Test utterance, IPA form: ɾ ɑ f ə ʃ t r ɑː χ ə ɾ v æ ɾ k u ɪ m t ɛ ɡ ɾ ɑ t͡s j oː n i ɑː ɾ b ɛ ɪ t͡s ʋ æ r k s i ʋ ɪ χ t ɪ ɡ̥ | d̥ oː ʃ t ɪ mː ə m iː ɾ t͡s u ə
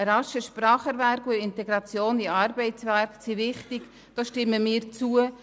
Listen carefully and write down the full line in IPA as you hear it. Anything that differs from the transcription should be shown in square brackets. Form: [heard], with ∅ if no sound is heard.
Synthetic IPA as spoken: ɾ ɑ [ʃ] ə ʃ [p] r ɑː χ ə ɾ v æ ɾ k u ɪ [n] t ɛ ɡ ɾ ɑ t͡s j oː n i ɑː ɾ b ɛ ɪ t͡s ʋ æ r k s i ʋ ɪ χ t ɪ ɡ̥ | d̥ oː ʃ t ɪ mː ə m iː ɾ t͡s u ə